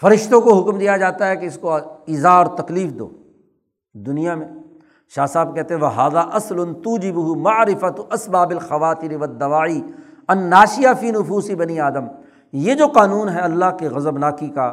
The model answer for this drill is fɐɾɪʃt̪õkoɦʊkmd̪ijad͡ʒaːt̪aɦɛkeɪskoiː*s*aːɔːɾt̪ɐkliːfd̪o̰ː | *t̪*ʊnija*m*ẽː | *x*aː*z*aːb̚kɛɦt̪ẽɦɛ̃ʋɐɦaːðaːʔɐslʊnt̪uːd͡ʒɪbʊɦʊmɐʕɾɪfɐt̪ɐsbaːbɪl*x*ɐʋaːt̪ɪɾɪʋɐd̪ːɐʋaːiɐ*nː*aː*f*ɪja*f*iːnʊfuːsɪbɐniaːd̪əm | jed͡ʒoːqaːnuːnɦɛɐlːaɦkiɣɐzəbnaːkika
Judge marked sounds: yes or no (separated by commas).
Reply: no, no, yes, no, no, yes, yes, no, yes